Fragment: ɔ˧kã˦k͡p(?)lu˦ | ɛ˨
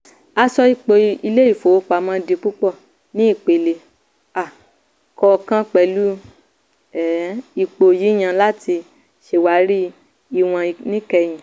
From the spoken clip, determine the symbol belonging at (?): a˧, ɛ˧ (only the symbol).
ɛ˧